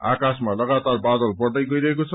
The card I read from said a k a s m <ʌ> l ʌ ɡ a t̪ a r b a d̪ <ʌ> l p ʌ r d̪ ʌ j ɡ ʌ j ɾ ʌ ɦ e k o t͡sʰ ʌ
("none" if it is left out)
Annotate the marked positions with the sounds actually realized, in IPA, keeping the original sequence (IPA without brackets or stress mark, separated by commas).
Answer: a, ʌ